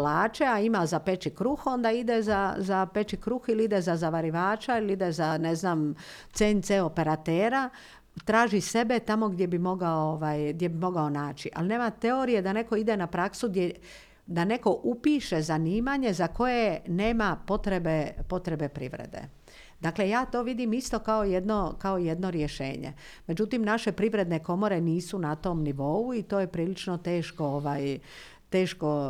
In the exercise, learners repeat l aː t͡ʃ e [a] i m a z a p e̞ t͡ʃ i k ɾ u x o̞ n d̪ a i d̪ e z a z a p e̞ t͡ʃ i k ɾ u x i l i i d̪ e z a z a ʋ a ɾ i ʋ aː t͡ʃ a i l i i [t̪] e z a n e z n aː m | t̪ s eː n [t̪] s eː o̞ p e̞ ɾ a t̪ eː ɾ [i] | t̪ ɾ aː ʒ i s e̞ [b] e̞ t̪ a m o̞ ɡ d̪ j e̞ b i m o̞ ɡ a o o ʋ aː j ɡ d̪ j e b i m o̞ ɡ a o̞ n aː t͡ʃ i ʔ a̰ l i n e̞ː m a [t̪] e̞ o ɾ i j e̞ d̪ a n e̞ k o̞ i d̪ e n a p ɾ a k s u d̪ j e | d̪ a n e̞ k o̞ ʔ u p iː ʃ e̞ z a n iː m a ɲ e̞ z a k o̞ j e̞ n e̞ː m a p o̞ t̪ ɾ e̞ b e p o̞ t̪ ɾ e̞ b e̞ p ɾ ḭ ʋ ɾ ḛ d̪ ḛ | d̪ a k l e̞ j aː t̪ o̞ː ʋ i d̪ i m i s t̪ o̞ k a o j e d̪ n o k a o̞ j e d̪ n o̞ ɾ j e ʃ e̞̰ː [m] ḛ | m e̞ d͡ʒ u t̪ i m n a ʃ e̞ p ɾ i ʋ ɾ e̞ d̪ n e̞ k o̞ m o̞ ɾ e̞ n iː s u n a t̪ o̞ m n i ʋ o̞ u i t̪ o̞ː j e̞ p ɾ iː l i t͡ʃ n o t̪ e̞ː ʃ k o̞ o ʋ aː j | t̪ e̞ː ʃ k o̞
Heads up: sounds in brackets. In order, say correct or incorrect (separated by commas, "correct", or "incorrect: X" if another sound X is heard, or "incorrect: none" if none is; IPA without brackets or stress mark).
correct, incorrect: d̪, correct, incorrect: a, correct, correct, incorrect: ɲ